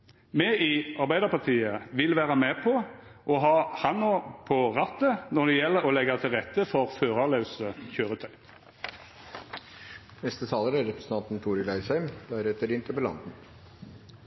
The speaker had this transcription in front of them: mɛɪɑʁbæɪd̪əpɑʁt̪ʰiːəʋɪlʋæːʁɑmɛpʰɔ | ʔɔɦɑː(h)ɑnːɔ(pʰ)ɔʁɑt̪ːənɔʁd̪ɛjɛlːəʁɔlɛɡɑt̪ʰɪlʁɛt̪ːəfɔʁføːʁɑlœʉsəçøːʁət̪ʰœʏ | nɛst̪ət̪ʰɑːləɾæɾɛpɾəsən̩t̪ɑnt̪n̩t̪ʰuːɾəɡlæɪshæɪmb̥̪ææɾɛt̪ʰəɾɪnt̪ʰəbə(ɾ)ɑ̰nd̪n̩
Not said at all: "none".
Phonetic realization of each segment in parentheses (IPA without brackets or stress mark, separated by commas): h, pʰ, l